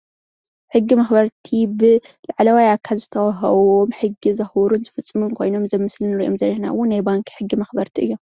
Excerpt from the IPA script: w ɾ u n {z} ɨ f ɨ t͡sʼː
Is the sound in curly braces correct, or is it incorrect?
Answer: correct